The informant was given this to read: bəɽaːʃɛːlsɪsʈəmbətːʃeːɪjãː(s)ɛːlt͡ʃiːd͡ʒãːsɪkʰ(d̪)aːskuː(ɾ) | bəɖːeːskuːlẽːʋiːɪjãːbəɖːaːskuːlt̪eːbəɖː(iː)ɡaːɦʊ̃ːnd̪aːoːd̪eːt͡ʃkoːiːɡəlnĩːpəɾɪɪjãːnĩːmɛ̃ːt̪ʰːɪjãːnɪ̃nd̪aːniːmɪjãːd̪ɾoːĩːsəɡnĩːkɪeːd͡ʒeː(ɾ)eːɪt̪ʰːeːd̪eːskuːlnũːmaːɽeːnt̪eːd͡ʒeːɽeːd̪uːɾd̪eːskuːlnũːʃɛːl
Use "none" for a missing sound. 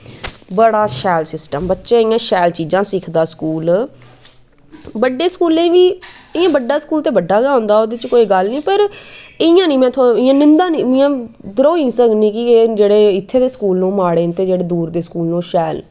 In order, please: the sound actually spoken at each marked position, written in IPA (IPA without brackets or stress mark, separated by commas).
ʃ, d̪, l, aː, ɽ